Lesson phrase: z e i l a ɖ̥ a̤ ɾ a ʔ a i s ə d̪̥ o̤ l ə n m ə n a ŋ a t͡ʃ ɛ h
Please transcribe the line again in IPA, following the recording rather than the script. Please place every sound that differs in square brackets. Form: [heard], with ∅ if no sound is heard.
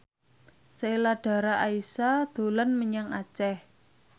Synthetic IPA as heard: [s] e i l a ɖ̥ a̤ ɾ a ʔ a i s [a] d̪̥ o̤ l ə n m ə [ɲ] a ŋ a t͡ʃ ɛ h